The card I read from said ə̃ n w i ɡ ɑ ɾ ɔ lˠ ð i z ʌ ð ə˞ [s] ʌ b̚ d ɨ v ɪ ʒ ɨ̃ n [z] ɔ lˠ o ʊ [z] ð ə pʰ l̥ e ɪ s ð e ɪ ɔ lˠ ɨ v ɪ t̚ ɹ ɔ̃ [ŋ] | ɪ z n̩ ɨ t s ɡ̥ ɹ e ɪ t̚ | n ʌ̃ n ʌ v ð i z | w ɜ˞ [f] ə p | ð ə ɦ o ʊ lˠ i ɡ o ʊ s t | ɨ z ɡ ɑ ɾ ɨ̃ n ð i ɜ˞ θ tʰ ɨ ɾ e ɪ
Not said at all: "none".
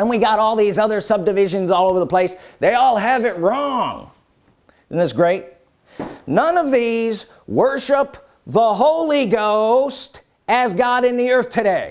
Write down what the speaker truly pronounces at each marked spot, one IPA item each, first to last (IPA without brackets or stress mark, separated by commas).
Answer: s, z, v, ŋ, ʃ